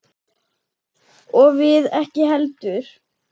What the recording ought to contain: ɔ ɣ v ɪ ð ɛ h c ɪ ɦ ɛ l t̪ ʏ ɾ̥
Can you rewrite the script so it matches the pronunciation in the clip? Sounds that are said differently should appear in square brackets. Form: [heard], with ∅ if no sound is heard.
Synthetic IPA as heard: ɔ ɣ v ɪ ð ɛ h c ɪ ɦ ɛ l t̪ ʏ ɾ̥